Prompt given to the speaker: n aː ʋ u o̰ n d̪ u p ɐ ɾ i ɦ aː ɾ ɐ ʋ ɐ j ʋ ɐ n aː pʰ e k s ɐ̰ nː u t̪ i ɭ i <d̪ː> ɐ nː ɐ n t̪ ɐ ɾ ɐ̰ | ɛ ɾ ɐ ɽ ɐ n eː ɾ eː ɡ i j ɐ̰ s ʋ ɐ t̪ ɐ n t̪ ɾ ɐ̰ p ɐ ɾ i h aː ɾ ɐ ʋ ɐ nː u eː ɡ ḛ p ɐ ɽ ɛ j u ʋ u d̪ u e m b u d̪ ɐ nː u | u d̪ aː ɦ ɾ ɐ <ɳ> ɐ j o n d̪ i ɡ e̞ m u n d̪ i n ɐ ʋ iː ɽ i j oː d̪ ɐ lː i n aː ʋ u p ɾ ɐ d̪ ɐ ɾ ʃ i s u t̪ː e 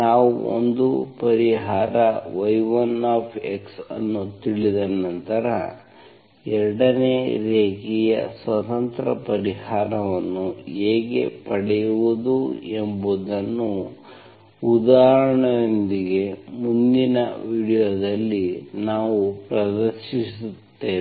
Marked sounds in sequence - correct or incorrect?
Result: incorrect: d̪, correct

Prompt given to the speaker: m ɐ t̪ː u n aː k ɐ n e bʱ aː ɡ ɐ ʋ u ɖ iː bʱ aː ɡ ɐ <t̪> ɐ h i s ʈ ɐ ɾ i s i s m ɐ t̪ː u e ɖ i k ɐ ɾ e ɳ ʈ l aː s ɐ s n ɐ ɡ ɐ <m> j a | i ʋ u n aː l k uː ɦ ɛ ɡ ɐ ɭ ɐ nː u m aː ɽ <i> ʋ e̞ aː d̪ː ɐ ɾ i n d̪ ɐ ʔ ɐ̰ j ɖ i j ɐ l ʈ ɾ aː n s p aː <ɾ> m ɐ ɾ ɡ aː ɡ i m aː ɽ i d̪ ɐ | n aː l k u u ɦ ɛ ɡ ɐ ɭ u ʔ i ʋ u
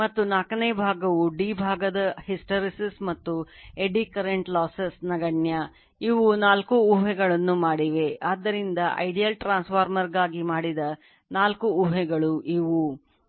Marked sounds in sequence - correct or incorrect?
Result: incorrect: d̪, incorrect: ɳ, correct, correct

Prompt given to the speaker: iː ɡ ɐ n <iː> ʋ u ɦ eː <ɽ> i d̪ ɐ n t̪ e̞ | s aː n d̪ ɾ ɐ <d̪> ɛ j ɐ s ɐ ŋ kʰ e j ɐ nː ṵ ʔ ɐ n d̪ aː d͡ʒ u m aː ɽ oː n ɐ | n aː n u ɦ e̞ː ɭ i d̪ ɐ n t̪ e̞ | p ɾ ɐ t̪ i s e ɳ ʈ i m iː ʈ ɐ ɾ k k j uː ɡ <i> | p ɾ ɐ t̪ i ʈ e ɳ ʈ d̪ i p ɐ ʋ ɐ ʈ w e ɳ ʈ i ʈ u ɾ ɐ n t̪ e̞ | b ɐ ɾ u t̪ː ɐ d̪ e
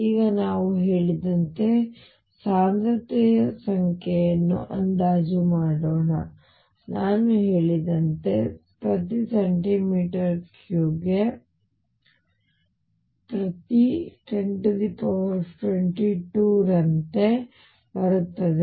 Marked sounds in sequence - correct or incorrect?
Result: incorrect: aː, incorrect: ɭ, incorrect: t̪, incorrect: e

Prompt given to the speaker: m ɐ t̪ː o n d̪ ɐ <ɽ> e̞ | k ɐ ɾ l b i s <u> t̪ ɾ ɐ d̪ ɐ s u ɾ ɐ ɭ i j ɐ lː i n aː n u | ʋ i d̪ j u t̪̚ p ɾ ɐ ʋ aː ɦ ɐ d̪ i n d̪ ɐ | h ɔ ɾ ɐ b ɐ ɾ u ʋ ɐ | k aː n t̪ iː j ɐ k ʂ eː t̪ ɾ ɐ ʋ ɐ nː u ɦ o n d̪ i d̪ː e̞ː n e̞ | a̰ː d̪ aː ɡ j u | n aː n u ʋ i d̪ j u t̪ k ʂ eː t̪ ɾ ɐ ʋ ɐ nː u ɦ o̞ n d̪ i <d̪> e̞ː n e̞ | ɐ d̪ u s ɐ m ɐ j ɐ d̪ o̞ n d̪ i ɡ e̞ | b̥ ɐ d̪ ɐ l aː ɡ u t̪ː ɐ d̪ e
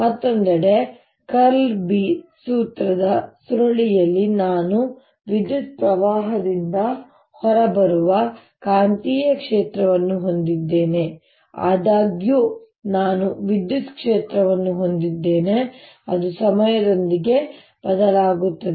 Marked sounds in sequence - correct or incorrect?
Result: correct, incorrect: uː, incorrect: d̪ː

